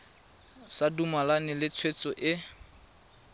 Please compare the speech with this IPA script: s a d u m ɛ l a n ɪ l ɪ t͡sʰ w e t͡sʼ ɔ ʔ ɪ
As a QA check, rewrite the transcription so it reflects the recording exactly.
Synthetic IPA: s a d u m a l a n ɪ l ɪ t͡sʰ w e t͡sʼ ɔ ʔ ɪ